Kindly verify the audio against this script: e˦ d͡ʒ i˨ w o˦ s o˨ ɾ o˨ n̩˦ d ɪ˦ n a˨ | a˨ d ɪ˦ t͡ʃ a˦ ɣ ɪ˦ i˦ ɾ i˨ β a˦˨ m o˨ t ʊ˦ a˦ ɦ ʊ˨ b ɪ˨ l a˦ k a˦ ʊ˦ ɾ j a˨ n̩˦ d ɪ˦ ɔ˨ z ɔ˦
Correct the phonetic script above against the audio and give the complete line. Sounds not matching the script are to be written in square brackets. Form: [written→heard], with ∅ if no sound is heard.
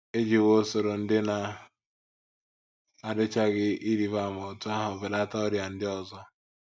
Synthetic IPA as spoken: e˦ d͡ʒ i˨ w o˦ s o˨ ɾ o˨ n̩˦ d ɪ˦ n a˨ | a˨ d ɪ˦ t͡ʃ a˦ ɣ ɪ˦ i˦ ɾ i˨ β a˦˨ m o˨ t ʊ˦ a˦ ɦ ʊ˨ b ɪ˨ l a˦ [k→t] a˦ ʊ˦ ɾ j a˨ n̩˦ d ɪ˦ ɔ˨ z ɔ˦